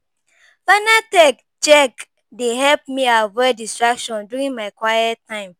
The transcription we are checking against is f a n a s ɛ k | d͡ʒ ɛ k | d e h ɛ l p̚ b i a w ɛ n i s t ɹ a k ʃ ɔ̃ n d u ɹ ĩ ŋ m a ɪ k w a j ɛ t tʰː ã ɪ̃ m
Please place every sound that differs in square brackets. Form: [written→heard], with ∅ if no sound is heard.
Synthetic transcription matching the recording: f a n a [s→t] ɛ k | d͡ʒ ɛ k | d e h ɛ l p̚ [b→m] i a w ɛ [n→d] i s t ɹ a k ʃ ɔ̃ n d u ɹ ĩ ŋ m a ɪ k w a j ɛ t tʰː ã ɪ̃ m